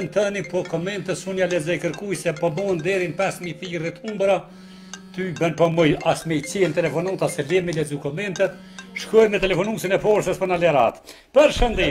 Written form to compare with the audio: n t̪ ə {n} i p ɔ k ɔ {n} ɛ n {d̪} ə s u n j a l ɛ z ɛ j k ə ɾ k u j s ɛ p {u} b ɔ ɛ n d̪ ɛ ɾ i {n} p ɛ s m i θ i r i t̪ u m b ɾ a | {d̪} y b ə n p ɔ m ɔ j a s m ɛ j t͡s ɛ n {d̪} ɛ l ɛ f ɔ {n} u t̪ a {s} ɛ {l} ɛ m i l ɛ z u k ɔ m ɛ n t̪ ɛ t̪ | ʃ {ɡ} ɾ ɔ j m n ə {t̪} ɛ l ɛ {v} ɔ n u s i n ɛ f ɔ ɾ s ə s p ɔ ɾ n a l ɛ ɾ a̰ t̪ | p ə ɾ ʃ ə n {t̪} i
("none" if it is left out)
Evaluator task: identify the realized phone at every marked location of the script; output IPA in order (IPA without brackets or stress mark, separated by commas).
n, m, t̪, ɔ, n, t̪, t̪, n, s, l, k, t̪, f, d̪